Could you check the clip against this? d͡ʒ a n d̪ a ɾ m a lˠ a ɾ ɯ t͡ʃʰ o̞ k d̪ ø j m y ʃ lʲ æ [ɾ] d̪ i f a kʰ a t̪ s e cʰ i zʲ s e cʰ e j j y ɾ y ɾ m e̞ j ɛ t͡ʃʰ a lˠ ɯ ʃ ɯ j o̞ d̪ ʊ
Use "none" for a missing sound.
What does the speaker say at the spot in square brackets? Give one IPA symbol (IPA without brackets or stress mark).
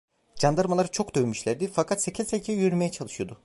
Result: ɾ